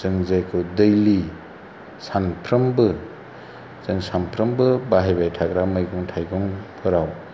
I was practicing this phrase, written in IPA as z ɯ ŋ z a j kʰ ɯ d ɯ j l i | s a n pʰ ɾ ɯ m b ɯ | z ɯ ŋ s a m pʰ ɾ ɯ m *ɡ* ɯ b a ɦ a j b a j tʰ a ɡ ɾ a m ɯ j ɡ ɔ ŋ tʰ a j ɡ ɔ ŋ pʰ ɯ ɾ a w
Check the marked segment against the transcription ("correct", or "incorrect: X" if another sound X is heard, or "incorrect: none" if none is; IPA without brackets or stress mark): incorrect: b